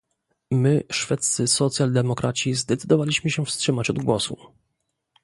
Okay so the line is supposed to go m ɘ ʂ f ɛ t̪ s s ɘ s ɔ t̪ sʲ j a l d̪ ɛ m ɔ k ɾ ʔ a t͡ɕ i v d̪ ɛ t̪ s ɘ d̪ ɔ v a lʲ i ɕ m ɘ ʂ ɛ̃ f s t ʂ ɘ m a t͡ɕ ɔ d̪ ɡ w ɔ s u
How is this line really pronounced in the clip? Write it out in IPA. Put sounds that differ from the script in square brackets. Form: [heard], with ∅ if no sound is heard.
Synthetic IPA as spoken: m ɘ ʂ f ɛ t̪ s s ɘ s ɔ t̪ sʲ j a l d̪ ɛ m ɔ k ɾ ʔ a t͡ɕ i [z] d̪ ɛ t̪ s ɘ d̪ ɔ v a lʲ i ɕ m ɘ [ɕ] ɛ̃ f s t ʂ ɘ m a t͡ɕ ɔ d̪ ɡ w ɔ s u